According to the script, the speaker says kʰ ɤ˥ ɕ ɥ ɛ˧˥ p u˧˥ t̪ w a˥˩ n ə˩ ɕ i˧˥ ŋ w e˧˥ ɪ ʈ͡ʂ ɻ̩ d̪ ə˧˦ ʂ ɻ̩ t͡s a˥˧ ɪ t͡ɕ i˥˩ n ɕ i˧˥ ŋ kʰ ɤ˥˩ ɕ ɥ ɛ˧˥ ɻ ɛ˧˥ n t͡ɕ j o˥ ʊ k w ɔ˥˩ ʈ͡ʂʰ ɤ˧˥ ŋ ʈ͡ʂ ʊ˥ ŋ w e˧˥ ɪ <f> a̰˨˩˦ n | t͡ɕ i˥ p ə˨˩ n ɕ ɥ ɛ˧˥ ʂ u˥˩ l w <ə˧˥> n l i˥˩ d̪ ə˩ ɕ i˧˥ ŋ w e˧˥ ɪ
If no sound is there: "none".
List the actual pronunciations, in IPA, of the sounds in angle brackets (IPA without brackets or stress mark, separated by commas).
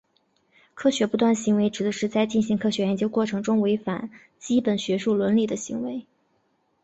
f, ə˧˥